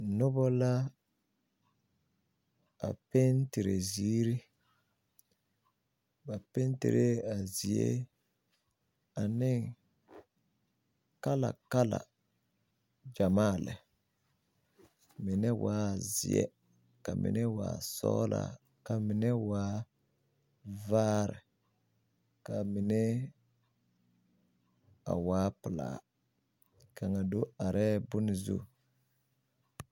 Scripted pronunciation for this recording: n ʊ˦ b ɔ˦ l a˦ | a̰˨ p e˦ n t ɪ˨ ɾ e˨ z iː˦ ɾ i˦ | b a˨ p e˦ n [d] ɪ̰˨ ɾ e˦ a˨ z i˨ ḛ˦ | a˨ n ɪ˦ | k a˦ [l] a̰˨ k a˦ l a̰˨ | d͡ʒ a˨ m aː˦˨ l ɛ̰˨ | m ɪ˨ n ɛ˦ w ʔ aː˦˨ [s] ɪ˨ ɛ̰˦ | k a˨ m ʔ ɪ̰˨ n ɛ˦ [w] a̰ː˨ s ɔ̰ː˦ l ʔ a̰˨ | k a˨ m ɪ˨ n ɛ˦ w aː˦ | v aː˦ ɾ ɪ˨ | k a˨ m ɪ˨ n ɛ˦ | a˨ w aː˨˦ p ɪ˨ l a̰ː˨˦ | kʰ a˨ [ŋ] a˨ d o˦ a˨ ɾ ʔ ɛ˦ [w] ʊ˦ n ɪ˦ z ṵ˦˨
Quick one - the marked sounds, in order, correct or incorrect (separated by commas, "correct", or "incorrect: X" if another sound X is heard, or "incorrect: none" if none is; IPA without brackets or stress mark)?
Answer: incorrect: t, correct, incorrect: z, correct, correct, incorrect: b